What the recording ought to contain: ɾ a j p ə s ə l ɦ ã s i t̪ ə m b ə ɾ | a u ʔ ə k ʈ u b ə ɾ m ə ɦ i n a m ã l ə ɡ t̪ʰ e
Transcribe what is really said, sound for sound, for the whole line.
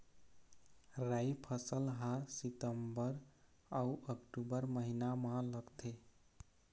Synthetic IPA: ɾ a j pʰ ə s ə l ɦ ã s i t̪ ə m b ə ɾ | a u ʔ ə k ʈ u b ə ɾ m ə ɦ i n a m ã l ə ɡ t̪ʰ e